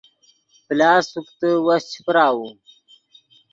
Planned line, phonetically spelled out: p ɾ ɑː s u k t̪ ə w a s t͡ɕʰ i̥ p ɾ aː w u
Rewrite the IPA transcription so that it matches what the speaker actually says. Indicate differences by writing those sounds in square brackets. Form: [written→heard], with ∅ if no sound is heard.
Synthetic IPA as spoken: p [ɾ→l] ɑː s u k t̪ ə w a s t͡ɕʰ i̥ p ɾ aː w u